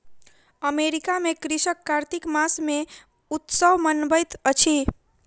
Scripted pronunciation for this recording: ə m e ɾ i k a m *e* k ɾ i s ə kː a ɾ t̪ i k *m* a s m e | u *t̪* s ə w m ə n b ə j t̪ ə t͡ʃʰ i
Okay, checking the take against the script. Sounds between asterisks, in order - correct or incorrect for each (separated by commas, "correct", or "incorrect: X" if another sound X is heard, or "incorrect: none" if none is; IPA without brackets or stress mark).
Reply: correct, correct, correct